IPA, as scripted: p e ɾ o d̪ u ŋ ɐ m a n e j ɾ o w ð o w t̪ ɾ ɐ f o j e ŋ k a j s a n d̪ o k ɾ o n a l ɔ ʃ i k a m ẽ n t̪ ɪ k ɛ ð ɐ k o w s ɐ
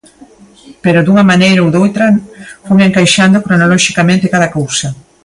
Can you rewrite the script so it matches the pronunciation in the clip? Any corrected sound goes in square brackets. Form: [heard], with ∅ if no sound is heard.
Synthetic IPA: p e ɾ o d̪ u ŋ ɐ m a n e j ɾ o w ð o w t̪ ɾ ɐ f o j e ŋ k a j [ʃ] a n d̪ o k ɾ o n a l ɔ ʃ i k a m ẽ n t̪ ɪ k [a] ð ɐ k o w s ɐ